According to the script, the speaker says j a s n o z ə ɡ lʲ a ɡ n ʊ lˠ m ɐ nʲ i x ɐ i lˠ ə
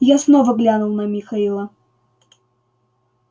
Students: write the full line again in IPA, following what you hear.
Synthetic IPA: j a s n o v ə ɡ lʲ a n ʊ lˠ n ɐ mʲ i x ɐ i lˠ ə